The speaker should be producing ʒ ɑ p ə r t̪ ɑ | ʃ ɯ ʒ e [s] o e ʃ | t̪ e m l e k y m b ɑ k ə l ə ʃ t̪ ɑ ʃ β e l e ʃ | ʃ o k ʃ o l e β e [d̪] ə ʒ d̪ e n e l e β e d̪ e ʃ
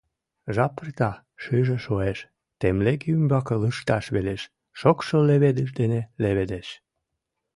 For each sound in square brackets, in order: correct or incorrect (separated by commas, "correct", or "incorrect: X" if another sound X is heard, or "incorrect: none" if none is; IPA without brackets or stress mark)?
incorrect: ʃ, correct